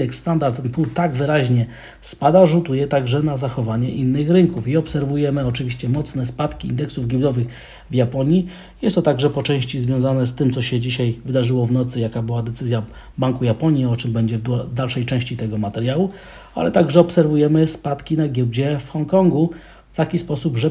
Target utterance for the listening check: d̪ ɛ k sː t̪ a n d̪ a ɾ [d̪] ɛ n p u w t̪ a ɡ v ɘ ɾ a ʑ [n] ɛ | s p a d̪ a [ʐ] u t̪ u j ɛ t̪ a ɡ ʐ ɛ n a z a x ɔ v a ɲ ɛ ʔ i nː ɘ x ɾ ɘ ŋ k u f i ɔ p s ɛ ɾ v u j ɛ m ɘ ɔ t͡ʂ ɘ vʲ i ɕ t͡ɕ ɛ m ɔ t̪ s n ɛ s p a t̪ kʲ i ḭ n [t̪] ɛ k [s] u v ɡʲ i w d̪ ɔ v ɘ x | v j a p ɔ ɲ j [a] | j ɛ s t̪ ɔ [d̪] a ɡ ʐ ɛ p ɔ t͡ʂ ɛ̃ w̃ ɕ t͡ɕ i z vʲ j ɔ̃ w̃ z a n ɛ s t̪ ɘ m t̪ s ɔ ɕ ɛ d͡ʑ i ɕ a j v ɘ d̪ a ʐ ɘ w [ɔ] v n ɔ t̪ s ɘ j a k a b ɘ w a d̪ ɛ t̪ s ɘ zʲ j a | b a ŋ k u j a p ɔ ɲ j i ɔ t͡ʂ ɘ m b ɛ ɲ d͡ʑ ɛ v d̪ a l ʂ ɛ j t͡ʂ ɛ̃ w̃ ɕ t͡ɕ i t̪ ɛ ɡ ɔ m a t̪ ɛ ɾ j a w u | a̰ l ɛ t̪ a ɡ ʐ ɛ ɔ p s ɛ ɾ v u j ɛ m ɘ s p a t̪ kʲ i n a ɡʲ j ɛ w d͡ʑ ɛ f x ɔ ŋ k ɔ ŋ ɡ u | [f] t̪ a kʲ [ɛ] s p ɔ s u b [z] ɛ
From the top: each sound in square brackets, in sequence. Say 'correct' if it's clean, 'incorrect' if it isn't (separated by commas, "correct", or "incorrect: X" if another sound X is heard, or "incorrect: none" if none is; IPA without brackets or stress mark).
incorrect: t̪, incorrect: ɲ, correct, incorrect: d̪, correct, incorrect: i, incorrect: t̪, correct, correct, incorrect: i, incorrect: ʐ